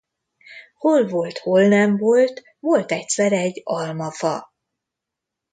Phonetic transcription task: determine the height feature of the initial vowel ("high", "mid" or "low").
mid